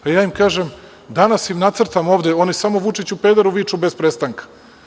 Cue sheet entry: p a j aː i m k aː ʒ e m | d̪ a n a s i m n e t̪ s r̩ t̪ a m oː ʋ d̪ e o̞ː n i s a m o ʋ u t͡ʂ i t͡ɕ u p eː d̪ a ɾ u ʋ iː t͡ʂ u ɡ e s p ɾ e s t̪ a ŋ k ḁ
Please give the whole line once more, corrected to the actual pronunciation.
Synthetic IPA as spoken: p a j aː i m k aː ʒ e m | d̪ a n a s i m n a t̪ s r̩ t̪ a m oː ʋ d̪ e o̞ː n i s a m o ʋ u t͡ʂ i t͡ɕ u p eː d̪ a ɾ u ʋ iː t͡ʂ u b e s p ɾ e s t̪ a ŋ k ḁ